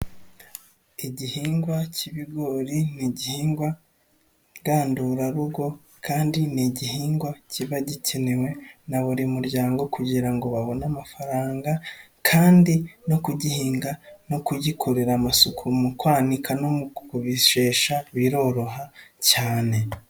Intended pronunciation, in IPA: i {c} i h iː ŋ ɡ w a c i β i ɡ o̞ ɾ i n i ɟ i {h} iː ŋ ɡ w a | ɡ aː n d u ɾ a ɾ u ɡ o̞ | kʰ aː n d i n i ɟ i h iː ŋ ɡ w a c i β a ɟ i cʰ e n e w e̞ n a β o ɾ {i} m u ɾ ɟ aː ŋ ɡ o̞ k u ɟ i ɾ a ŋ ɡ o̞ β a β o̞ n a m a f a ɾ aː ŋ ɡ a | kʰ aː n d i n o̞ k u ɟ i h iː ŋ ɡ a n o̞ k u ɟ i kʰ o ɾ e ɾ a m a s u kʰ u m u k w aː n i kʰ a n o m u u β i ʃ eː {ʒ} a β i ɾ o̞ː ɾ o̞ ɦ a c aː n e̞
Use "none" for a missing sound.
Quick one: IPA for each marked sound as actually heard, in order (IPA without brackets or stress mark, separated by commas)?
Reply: ɟ, h, i, ʃ